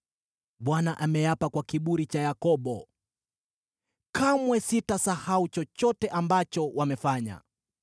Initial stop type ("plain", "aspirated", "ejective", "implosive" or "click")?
implosive